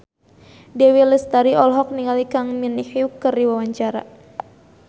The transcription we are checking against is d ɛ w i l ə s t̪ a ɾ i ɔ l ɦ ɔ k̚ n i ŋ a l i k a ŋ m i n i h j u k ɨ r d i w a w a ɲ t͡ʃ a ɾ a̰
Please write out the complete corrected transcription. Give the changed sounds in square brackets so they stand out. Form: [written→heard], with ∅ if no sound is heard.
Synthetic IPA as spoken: d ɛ w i l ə s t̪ a ɾ i ɔ l ɦ ɔ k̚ n i ŋ a l i k a ŋ m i n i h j u k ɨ r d i w a w a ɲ t͡ʃ a ɾ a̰